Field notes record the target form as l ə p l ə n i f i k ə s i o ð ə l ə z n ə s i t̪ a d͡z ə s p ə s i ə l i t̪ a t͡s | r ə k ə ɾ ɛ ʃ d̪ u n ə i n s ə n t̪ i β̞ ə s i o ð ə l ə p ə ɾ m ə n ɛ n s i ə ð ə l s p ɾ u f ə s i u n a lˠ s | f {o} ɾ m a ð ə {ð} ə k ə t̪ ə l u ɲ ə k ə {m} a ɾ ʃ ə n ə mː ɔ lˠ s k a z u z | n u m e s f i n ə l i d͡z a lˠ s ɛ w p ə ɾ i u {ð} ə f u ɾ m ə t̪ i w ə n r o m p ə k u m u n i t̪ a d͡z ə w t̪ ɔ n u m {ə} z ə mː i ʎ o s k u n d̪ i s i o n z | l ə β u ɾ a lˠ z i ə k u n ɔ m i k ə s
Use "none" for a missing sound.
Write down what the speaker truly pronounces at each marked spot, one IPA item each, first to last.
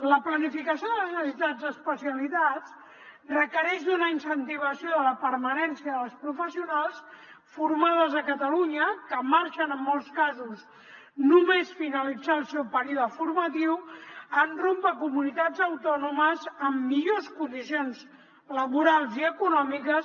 u, z, m, ð, ə

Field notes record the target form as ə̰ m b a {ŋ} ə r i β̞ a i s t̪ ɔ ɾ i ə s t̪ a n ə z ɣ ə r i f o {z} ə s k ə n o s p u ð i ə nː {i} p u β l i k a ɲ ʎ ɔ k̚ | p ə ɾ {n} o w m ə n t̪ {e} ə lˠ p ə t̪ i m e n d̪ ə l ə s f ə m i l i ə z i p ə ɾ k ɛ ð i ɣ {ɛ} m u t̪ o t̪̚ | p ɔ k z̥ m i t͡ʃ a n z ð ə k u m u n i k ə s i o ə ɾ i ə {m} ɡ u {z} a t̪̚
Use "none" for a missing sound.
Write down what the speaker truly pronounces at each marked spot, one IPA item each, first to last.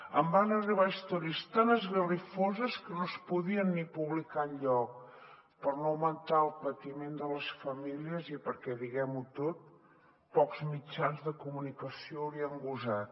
n, z, i, n, a, ɛ, ŋ, z

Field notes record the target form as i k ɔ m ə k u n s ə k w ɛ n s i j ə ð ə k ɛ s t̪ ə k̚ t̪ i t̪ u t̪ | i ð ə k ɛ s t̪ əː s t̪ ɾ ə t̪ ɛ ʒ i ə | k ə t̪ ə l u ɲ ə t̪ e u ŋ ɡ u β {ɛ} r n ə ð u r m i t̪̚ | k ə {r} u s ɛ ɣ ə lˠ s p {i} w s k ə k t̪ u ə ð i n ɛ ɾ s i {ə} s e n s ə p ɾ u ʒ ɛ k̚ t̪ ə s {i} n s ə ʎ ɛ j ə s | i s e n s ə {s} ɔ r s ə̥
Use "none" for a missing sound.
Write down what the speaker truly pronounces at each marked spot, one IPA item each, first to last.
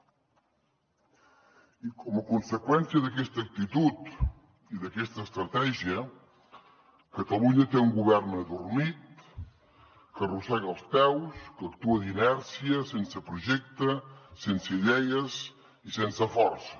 ɛ, r, ɛ, ə, e, f

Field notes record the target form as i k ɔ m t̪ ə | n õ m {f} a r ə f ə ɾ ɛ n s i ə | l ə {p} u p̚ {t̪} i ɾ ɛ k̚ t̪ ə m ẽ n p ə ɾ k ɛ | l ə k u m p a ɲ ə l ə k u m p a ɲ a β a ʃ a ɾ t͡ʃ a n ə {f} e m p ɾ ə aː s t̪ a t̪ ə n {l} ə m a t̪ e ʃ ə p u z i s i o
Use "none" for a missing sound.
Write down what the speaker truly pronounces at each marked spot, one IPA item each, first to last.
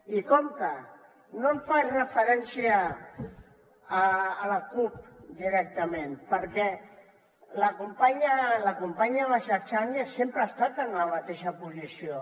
f, k, d̪, s, l

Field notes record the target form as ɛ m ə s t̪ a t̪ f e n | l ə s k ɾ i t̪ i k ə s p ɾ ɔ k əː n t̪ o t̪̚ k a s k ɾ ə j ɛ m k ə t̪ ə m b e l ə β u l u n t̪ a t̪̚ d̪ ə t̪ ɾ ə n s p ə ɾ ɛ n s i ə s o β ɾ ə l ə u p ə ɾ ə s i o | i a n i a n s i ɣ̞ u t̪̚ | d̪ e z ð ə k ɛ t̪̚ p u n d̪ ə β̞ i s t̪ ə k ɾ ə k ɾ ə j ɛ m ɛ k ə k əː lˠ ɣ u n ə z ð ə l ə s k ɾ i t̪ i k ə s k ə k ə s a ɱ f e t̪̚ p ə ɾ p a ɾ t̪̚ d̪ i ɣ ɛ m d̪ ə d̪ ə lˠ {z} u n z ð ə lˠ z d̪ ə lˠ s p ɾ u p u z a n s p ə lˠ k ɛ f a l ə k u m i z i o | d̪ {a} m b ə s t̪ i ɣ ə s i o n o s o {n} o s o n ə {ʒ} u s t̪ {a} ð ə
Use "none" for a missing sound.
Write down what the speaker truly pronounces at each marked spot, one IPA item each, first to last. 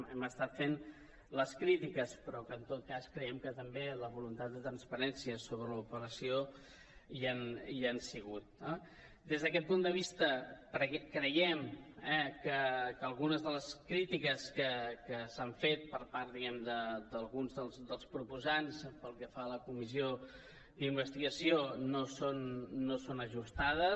ɣ, i, nː, ʒ, a

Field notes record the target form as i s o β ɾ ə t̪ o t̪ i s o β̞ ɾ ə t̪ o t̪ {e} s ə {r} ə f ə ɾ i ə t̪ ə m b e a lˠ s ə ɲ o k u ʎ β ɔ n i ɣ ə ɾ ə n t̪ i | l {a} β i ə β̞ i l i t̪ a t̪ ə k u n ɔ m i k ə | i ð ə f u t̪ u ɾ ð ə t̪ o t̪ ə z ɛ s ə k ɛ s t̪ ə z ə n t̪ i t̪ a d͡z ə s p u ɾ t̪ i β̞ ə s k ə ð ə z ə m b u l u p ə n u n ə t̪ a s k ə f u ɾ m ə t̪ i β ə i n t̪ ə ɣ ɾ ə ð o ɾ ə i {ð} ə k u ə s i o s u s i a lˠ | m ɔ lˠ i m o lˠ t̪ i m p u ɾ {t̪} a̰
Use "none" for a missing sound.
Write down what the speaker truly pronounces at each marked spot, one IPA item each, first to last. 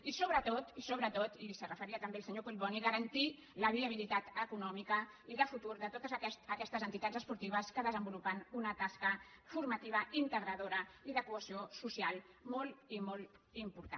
i, r, ə, ð, t̪

